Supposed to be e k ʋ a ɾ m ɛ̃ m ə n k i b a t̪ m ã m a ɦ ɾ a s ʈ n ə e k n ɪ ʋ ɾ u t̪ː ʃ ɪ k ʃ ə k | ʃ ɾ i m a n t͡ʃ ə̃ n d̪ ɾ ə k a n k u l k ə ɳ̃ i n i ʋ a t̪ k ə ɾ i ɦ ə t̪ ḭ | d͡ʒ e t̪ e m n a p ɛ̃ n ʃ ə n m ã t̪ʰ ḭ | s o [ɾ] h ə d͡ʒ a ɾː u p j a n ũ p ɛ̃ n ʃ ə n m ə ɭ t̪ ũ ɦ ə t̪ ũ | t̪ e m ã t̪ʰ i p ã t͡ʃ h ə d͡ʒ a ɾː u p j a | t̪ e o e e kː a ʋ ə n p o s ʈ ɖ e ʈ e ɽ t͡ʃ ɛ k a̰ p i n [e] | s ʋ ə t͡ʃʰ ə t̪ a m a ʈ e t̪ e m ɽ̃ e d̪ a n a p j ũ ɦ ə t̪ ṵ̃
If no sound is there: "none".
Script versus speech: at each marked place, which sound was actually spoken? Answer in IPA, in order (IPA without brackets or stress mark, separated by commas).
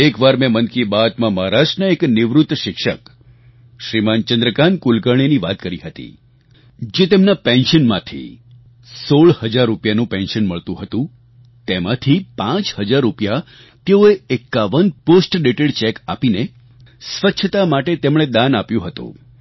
ɭ, e